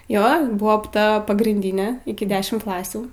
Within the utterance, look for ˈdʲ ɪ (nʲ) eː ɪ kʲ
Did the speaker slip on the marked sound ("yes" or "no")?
no